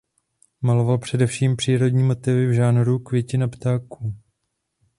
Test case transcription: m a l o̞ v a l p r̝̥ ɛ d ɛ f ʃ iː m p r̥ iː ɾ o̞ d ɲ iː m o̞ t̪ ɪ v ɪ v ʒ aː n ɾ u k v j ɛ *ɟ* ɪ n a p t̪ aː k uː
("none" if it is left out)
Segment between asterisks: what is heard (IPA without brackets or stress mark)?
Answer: c